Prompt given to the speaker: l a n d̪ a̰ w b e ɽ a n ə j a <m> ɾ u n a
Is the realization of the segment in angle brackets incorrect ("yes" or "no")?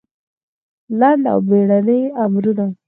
no